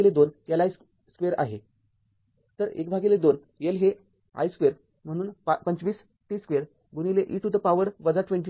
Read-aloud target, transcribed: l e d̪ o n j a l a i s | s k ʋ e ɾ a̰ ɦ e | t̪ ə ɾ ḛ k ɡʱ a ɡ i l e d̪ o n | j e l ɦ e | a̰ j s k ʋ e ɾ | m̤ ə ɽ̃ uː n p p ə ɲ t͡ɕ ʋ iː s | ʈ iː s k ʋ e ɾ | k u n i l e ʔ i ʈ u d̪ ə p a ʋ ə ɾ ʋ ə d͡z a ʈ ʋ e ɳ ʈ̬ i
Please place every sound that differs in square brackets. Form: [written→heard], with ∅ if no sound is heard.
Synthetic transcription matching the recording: l e d̪ o n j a l a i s | s k ʋ e ɾ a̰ ɦ e | t̪ ə ɾ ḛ k [ɡʱ→bʱ] a ɡ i l e d̪ o n | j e l ɦ e | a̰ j s k ʋ e ɾ | m̤ ə ɽ̃ uː n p p ə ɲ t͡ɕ ʋ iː s | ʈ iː s k ʋ e ɾ | [k→ɡ] u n i l e ʔ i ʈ u d̪ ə p a ʋ ə ɾ ʋ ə d͡z a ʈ ʋ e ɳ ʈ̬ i